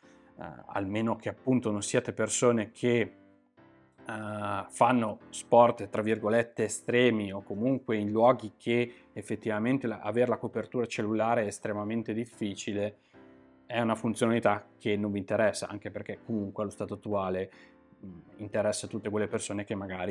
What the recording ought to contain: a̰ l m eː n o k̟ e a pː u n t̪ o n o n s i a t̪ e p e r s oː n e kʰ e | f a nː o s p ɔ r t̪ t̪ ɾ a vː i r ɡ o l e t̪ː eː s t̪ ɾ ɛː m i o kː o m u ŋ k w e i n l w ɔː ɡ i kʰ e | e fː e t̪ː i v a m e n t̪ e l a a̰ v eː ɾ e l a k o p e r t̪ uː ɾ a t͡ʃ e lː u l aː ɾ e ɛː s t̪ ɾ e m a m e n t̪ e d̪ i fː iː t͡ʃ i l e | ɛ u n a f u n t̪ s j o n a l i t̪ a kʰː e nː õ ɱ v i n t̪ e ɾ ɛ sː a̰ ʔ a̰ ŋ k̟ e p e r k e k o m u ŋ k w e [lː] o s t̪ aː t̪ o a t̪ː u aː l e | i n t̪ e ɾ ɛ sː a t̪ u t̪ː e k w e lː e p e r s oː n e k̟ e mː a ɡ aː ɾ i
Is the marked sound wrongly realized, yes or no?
yes